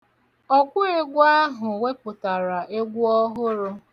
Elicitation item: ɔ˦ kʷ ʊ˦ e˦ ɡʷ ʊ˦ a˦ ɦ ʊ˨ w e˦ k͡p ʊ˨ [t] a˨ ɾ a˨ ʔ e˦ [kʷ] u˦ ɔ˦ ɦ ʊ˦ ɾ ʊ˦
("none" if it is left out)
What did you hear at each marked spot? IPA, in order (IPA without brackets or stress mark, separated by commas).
t, ɡʷ